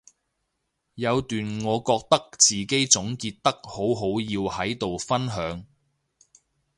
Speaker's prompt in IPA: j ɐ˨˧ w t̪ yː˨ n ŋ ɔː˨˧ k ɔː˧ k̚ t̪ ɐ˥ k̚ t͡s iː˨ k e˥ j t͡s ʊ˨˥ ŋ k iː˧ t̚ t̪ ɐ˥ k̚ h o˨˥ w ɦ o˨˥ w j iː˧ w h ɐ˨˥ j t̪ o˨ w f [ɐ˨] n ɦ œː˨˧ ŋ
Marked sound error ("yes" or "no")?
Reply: yes